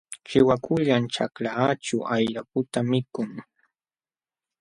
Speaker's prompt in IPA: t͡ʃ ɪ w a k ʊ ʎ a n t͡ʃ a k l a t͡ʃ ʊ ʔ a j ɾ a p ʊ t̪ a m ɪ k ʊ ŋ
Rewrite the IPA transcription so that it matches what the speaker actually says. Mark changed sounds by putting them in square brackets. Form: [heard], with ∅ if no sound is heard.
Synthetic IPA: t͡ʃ ɪ w a k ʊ ʎ a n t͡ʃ a k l a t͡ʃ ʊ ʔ a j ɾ a p ʊ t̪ a m ɪ k ʊ ŋ